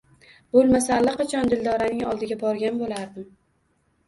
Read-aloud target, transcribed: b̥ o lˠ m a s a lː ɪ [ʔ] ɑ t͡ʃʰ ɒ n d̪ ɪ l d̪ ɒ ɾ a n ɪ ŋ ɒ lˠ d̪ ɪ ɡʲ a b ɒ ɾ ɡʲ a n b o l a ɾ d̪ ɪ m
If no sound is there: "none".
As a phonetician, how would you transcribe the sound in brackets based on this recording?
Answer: q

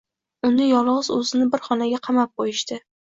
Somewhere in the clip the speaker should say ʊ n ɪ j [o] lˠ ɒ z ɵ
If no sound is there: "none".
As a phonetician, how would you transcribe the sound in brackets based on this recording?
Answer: ɒ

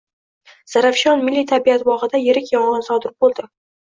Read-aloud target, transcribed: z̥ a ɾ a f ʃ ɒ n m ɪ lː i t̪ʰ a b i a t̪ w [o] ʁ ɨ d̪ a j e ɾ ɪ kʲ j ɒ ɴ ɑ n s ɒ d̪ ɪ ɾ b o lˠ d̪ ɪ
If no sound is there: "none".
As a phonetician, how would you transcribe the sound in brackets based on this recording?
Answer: ɒ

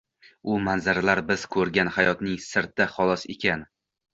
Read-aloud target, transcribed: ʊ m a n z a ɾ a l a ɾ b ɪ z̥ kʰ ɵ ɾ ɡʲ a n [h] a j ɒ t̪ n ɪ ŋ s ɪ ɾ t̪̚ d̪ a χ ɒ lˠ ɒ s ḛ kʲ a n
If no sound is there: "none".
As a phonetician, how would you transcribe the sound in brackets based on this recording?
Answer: h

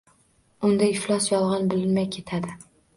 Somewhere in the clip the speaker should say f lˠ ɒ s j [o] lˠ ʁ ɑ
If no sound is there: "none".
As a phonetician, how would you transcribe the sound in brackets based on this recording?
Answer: ɒ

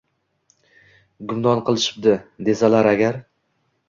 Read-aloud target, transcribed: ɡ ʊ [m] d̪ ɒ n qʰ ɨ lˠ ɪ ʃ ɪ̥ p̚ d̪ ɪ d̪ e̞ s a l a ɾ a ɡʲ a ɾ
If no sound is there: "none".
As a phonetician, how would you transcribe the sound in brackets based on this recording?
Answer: m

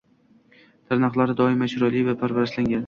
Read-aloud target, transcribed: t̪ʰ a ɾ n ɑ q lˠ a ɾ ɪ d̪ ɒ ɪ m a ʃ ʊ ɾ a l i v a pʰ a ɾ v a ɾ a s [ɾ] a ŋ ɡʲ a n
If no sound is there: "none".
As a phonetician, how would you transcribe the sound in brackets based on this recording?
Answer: l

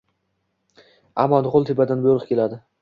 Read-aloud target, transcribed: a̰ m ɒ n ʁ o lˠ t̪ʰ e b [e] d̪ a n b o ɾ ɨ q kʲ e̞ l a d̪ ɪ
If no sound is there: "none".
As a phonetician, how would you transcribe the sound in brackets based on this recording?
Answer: a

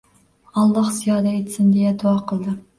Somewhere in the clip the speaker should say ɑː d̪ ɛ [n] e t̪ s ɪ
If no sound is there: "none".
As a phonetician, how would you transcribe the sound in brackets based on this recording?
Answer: none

